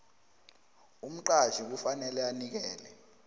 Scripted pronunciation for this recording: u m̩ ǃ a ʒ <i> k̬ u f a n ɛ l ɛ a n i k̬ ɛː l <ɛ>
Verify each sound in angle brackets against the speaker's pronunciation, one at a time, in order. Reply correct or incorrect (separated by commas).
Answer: correct, correct